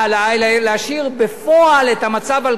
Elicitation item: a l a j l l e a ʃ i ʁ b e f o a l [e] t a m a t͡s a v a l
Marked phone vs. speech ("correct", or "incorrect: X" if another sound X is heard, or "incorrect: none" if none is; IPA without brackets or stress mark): correct